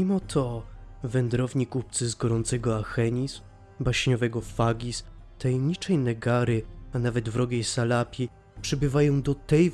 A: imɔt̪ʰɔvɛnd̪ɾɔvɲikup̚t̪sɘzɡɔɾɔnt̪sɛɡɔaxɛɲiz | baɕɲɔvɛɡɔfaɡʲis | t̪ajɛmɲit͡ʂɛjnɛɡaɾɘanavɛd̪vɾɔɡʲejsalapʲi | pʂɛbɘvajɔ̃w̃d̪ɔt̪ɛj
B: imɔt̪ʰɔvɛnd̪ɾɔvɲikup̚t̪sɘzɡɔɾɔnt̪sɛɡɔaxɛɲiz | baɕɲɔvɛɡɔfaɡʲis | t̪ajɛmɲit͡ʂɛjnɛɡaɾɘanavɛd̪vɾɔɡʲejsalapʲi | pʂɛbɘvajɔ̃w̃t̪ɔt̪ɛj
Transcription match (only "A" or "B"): A